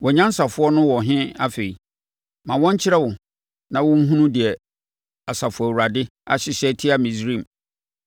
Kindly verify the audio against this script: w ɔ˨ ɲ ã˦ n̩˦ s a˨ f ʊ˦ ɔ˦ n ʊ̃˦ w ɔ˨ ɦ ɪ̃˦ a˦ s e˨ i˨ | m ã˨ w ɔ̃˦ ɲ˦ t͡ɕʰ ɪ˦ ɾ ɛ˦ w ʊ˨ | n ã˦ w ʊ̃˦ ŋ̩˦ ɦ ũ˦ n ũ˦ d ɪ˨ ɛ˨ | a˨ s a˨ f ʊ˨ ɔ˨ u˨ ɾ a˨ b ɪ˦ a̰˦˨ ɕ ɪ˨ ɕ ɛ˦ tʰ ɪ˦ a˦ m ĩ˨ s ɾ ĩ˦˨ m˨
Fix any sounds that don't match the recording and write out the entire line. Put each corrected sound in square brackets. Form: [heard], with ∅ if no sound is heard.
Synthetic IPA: w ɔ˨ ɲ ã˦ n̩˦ s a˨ f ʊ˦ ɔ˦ n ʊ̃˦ w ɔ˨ ɦ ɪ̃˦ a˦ [f] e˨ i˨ | m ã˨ w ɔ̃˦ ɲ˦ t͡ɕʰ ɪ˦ ɾ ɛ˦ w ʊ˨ | n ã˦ w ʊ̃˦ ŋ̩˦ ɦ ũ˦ n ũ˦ d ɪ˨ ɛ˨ | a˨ s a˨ f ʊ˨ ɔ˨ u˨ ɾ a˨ [d] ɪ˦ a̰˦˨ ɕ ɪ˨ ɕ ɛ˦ tʰ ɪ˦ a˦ m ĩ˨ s ɾ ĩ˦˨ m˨